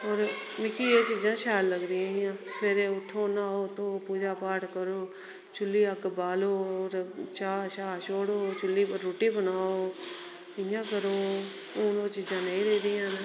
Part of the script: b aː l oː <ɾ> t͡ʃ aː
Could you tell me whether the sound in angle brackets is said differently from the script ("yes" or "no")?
no